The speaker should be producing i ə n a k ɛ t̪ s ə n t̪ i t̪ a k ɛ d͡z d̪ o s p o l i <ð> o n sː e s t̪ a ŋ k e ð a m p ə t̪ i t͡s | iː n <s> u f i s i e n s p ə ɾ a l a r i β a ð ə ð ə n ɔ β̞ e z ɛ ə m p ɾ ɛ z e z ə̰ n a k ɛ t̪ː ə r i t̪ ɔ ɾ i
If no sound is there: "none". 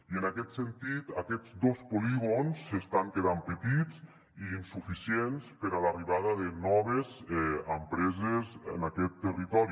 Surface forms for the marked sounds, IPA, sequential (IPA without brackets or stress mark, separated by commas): ɣ, s